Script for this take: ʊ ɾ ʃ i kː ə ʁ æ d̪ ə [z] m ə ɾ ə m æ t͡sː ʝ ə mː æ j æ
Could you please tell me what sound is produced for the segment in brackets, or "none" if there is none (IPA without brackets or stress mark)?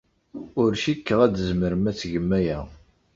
z